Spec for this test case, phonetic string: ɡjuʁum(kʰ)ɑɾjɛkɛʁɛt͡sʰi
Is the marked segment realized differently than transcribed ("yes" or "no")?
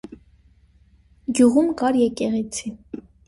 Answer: yes